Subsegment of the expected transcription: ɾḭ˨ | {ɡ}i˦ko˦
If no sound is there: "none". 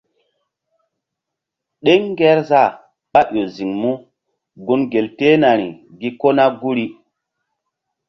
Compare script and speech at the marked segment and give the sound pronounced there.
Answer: ɡ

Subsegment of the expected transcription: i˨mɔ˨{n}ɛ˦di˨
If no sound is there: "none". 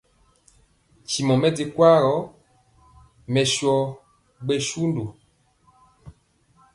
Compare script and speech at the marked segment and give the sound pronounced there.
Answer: m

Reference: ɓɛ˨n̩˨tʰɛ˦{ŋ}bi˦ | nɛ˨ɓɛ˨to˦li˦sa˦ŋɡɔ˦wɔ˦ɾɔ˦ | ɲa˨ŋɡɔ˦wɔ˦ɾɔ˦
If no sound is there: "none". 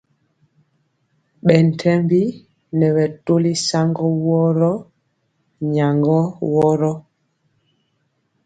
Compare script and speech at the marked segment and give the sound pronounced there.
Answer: m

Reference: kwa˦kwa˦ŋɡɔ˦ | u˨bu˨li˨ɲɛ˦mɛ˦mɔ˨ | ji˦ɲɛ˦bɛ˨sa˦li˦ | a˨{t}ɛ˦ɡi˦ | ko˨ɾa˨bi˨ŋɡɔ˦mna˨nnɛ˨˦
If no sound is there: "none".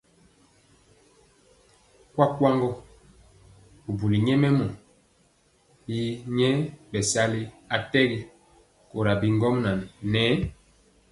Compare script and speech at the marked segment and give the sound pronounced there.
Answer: t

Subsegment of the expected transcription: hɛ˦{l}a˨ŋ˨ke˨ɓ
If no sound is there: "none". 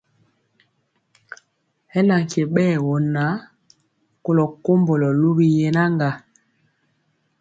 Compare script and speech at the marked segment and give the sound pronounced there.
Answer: l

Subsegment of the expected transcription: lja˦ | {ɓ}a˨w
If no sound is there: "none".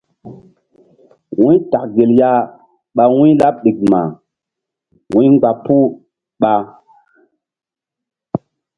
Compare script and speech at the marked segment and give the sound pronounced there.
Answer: ɓ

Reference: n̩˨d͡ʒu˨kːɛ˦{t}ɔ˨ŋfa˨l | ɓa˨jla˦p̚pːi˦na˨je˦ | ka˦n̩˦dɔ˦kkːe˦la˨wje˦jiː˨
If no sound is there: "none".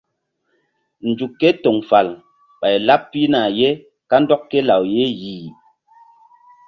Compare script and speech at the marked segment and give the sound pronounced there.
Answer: t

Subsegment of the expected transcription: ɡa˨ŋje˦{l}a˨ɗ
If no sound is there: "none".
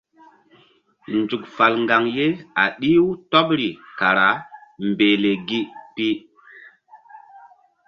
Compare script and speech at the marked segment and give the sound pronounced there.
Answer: none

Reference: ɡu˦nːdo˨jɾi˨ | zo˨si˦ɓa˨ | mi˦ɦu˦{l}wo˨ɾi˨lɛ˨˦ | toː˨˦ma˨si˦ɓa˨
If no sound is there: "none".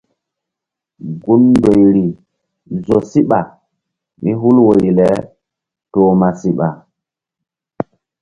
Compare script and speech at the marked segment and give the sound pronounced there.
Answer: l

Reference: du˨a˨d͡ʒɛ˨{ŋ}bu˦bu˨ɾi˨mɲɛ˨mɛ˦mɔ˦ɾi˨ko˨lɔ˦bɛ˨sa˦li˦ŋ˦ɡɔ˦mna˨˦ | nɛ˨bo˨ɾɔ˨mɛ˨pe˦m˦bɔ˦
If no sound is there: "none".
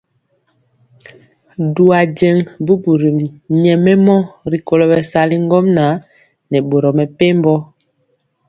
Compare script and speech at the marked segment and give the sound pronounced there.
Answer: ŋ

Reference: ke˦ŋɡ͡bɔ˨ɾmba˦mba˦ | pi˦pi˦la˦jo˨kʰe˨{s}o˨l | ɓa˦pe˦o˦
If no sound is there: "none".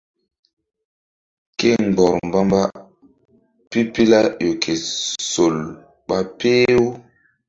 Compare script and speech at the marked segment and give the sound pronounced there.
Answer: s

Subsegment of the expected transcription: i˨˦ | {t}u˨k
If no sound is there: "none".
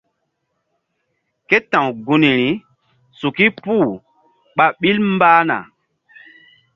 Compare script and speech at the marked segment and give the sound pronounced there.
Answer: s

